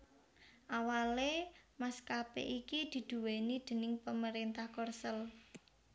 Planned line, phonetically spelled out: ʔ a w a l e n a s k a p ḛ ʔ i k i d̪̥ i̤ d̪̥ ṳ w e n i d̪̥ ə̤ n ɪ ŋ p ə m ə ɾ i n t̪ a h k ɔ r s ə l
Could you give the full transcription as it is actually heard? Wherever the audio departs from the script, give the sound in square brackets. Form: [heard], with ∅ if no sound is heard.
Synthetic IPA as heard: ʔ a w a l e [m] a s k a p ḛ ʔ i k i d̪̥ i̤ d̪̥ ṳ w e n i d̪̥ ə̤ n ɪ ŋ p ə m ə ɾ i n t̪ a h k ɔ r s ə l

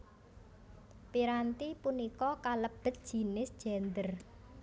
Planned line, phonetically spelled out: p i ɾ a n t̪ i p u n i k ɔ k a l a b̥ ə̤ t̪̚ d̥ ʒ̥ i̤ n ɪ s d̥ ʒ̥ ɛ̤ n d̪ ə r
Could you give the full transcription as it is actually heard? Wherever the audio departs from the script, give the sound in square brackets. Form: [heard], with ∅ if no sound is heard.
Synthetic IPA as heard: p i ɾ a n t̪ i p u n i k ɔ k a l [ə] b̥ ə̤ t̪̚ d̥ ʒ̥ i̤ n ɪ s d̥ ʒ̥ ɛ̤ n d̪ ə r

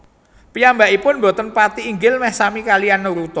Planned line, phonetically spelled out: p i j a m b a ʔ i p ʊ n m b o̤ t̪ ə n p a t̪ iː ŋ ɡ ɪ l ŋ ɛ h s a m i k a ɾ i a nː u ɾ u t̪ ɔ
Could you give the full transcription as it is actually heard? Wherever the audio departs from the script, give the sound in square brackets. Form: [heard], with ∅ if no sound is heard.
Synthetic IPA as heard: p i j a m b a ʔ i p ʊ n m b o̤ t̪ ə n p a t̪ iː ŋ ɡ ɪ l [m] ɛ h s a m i k a [l] i a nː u ɾ u t̪ ɔ

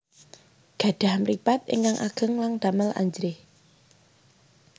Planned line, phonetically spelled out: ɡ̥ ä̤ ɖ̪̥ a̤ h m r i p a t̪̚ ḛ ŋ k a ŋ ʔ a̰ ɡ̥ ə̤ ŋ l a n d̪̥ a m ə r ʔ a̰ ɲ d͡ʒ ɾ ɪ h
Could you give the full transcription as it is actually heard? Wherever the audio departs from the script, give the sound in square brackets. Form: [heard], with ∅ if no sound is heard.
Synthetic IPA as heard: ɡ̥ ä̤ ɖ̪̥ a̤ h m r i p a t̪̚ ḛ ŋ k a ŋ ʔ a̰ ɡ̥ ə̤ ŋ l a [ŋ] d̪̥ a m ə [l] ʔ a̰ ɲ d͡ʒ ɾ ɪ h

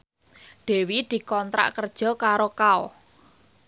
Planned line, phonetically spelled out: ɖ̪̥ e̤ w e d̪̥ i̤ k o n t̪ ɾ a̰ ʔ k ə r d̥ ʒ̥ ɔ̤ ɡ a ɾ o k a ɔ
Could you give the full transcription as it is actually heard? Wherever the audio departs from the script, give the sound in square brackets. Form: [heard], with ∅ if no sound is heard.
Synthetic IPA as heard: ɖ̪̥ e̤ w [i] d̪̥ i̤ k [ɔ] n t̪ ɾ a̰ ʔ k ə r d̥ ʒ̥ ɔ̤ [k] a ɾ o k a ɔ

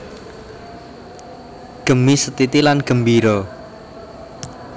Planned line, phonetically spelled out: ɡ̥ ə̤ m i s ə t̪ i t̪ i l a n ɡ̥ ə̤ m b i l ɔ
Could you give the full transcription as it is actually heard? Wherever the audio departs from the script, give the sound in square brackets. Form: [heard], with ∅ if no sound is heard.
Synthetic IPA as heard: ɡ̥ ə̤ m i s ə t̪ i t̪ i l a n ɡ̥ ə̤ m b i [ɾ] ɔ

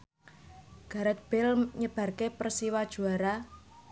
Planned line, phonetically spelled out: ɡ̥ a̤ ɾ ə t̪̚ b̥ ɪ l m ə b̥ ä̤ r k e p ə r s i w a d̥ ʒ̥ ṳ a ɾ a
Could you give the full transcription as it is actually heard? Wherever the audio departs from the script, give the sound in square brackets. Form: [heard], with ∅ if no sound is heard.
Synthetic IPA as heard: ɡ̥ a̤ ɾ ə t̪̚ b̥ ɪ l [ɲ] ə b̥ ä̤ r k e p ə r s i w a d̥ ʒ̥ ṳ a ɾ a

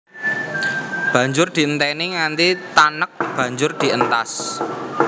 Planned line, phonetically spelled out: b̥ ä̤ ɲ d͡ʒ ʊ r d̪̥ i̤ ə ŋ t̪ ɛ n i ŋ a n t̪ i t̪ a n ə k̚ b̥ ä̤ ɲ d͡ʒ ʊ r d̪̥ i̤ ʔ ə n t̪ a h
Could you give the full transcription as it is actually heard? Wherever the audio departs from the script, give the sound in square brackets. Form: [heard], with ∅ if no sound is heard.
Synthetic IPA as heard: b̥ ä̤ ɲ d͡ʒ ʊ r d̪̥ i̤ ə [n] t̪ ɛ n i ŋ a n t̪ i t̪ a n ə k̚ b̥ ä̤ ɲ d͡ʒ ʊ r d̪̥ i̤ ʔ ə n t̪ a [s]

